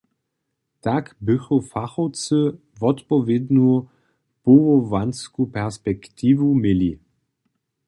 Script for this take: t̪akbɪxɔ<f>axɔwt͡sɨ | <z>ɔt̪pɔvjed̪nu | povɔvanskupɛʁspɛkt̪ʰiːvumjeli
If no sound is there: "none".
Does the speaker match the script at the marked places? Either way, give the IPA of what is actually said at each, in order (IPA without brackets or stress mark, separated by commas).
f, v